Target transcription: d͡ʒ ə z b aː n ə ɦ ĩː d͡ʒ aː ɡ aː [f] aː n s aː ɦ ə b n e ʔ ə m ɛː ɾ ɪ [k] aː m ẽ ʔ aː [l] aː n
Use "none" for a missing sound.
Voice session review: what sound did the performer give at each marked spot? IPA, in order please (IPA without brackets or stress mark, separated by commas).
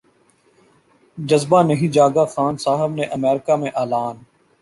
x, k, l